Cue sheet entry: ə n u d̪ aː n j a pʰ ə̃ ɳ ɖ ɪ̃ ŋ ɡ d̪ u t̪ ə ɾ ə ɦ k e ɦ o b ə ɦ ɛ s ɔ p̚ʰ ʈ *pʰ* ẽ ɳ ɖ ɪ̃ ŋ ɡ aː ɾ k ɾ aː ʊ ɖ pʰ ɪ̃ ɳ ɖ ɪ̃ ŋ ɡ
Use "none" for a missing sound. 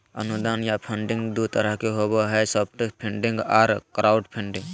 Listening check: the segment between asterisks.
pʰ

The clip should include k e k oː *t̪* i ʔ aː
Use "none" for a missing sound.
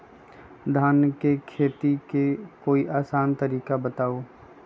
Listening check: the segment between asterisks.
none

